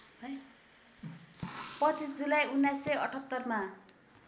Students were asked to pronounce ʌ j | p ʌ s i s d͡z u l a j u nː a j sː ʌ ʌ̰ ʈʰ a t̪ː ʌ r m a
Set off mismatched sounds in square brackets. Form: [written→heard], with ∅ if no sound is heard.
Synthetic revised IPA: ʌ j | p ʌ [s→t͡s] i s d͡z u l a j u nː a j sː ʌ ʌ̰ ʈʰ [a→ʌ] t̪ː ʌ r m a